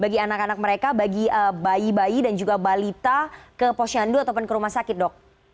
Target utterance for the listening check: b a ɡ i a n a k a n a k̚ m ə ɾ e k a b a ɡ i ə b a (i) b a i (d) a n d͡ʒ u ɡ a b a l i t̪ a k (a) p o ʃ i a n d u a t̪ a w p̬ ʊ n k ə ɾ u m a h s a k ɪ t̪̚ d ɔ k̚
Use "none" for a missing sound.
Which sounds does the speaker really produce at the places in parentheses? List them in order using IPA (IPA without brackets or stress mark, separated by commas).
i, d, ə